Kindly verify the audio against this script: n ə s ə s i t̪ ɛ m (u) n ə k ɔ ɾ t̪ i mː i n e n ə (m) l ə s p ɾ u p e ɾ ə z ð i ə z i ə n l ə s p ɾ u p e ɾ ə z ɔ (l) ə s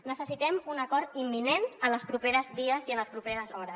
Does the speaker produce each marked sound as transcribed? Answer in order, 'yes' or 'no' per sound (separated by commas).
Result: yes, no, no